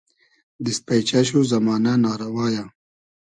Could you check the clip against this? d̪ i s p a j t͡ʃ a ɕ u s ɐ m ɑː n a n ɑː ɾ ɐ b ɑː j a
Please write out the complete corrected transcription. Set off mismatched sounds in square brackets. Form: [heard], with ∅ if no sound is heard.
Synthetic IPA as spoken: d̪ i s p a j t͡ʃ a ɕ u [z] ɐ m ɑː n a n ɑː ɾ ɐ [w] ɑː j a

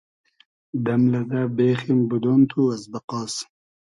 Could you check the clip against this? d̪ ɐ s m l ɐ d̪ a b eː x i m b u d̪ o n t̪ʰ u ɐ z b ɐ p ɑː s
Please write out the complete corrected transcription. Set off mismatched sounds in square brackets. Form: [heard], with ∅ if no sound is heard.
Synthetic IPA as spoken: d̪ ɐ [∅] m l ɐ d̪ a b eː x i m b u d̪ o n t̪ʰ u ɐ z b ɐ [q] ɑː s

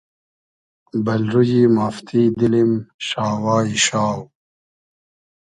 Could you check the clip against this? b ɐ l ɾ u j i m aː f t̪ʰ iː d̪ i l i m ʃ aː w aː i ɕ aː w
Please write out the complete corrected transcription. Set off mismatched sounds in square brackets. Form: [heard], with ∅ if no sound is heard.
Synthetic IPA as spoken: b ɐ l ɾ u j i m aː f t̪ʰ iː d̪ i l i m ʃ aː w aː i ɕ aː w

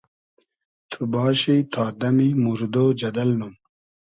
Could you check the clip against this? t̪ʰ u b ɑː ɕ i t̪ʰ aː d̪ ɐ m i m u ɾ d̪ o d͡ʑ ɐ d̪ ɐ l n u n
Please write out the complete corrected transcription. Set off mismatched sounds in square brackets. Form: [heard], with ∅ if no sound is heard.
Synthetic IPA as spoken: t̪ʰ u b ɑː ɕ i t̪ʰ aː d̪ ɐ m i m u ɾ d̪ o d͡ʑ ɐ d̪ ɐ l n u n

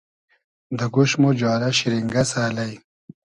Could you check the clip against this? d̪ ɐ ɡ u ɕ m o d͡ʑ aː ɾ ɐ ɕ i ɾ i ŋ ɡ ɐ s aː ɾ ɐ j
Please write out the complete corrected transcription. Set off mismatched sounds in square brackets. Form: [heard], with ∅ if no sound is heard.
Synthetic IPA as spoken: d̪ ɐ ɡ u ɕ m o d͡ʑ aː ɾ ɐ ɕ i ɾ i ŋ ɡ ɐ s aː [l] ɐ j

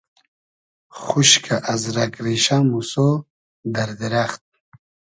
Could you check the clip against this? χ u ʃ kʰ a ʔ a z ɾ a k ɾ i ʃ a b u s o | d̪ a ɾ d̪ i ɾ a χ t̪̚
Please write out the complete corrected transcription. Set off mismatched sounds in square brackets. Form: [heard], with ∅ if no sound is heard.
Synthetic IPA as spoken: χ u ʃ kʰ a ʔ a z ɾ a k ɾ i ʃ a [m] u s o | d̪ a ɾ d̪ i ɾ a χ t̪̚

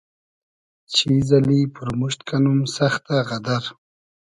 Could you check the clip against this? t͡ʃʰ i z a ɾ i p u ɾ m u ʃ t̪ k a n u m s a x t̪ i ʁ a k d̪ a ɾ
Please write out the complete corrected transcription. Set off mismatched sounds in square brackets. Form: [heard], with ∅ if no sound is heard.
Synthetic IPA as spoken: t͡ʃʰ i z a [l] i p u ɾ m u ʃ t̪ k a n u m s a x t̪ [a] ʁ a [∅] d̪ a ɾ

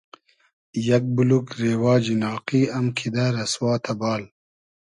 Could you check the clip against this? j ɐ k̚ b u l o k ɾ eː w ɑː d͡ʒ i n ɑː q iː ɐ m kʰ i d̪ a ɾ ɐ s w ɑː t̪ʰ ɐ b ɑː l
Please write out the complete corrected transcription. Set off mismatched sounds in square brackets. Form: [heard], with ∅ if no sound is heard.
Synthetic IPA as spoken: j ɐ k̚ b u l [u] k ɾ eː w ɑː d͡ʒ i n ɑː q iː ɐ m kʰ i d̪ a ɾ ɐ s w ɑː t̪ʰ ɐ b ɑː l

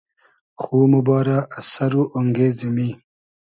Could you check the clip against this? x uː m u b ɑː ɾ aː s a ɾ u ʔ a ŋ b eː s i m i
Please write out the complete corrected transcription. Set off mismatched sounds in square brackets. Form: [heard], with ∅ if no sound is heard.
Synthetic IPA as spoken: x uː m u b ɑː ɾ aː s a ɾ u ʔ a ŋ [ɡ] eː [z] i m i

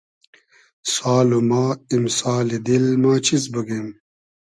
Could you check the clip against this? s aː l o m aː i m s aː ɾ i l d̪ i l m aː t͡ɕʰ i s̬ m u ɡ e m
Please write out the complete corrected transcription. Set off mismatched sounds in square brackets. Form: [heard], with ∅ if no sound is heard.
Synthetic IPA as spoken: s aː l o m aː i m s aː [l] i [∅] d̪ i l m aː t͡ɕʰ i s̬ [b] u ɡ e m

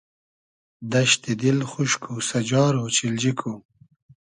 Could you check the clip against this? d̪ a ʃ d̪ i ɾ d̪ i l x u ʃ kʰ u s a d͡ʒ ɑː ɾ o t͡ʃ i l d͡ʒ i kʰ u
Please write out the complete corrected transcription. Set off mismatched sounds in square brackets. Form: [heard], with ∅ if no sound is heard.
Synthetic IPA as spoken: d̪ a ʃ [t̪] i [∅] d̪ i l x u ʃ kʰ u s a d͡ʒ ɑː ɾ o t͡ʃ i l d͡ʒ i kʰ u

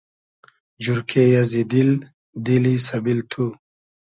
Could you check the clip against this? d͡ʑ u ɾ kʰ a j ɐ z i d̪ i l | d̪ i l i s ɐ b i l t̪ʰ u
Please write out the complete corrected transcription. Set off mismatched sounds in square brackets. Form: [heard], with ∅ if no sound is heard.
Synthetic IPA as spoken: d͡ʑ u ɾ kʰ [e] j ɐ z i d̪ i l | d̪ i l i s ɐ b i l t̪ʰ u

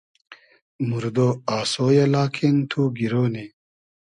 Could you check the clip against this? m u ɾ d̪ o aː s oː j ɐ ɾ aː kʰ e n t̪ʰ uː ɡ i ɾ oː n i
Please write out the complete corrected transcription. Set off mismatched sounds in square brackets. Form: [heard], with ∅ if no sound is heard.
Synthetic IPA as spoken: m u ɾ d̪ o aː s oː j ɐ [l] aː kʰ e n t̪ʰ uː ɡ i ɾ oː n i

